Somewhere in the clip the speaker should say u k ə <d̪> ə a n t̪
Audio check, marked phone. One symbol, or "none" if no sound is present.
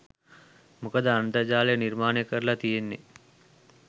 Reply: d̪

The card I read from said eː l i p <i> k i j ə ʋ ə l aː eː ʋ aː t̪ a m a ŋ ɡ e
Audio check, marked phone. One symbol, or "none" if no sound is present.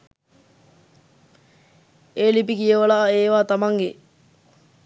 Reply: i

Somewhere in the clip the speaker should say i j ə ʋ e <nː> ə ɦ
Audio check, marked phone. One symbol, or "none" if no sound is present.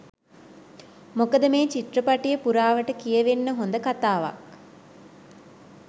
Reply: nː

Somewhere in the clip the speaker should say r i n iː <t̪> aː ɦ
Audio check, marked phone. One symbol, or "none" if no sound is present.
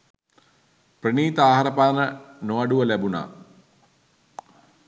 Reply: t̪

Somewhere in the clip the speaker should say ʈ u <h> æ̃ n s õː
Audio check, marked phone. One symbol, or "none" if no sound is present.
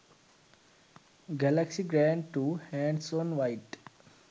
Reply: h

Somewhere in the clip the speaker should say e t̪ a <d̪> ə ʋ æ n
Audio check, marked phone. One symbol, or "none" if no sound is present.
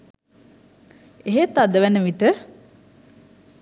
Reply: d̪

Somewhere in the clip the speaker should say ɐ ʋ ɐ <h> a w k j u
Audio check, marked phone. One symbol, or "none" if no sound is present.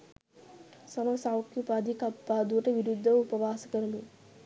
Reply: s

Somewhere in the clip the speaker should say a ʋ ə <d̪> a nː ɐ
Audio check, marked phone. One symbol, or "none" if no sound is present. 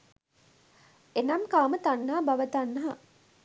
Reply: t̪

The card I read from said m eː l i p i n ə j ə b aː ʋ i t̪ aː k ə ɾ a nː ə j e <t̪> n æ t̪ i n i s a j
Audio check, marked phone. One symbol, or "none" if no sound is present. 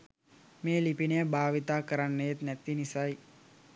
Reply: t̪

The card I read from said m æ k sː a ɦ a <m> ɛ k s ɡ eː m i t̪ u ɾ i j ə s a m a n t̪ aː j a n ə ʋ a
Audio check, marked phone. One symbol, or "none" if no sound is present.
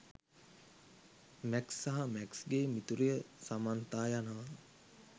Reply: m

